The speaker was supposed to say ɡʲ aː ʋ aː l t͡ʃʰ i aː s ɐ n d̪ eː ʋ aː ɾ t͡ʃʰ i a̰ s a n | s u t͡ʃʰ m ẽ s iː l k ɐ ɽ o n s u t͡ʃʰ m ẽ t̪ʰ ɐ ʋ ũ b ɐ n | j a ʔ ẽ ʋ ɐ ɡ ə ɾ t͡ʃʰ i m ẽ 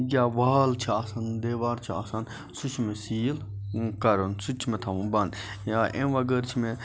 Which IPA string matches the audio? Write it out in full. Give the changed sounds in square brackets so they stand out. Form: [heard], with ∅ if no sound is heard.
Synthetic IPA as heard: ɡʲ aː ʋ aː l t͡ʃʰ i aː s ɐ n d̪ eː ʋ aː ɾ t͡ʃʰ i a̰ s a n | s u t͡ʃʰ m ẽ s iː l k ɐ [ɾ] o n s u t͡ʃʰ m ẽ t̪ʰ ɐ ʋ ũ b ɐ n | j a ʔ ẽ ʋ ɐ ɡ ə ɾ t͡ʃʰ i m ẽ